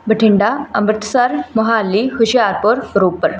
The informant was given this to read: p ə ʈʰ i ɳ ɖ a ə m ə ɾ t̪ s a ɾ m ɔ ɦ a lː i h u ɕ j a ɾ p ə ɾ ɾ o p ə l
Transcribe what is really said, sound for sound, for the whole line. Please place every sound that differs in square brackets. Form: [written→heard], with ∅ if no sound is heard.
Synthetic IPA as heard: [p→b] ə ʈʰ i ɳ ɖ a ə m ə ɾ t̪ s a ɾ m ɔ ɦ a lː i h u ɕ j a ɾ p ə ɾ ɾ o p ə [l→ɾ]